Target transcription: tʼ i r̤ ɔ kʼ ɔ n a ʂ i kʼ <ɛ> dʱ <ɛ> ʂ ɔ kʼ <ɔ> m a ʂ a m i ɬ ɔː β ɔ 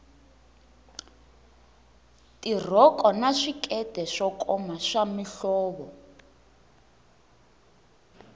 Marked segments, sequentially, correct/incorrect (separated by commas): correct, correct, correct